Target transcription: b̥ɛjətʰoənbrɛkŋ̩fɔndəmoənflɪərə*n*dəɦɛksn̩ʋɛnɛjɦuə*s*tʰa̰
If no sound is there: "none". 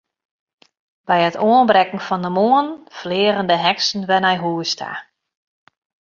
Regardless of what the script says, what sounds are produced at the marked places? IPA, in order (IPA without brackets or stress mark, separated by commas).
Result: n, s